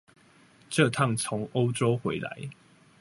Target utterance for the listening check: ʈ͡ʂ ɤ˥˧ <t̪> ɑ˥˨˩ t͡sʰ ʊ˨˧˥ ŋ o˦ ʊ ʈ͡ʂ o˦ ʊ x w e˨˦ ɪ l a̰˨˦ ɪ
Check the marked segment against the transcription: incorrect: t̪ʰ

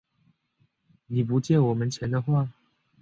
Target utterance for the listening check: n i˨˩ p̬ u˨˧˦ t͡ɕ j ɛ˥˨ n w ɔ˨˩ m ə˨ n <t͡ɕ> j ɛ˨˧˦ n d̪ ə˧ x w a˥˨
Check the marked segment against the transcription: incorrect: t͡ɕʰ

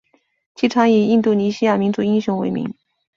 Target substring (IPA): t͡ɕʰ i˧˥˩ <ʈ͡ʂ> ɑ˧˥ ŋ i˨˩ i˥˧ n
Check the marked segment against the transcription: incorrect: ʈ͡ʂʰ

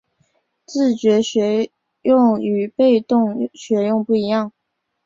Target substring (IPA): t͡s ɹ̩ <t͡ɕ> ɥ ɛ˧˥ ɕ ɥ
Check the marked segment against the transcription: correct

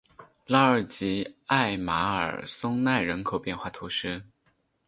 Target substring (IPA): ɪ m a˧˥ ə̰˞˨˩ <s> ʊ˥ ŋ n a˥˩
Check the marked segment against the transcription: correct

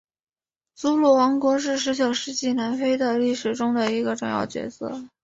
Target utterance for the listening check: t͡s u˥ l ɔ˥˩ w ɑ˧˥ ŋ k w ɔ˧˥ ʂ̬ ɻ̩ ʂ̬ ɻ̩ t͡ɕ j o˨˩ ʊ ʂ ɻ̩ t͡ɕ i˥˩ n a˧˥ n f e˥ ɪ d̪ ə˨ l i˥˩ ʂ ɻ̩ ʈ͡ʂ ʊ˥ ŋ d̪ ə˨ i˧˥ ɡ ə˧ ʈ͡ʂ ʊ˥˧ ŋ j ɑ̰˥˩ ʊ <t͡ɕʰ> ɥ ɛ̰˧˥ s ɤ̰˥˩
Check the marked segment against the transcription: incorrect: t͡ɕ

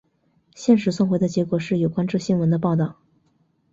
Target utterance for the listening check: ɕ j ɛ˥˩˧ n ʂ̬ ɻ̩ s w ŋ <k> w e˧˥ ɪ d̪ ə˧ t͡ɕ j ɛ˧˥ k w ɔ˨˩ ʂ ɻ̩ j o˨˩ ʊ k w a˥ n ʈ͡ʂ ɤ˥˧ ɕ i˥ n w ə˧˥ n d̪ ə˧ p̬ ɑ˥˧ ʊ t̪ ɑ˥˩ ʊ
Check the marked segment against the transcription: incorrect: x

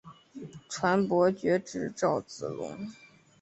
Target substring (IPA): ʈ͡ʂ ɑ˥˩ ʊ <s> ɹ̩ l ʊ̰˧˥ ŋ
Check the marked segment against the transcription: incorrect: t͡s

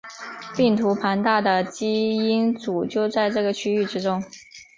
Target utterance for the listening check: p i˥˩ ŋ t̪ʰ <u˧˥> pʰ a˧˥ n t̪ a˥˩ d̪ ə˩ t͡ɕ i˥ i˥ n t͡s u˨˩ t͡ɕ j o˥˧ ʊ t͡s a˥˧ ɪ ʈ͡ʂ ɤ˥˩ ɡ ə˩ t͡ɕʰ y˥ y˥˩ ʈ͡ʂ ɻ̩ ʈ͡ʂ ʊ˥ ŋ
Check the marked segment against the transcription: correct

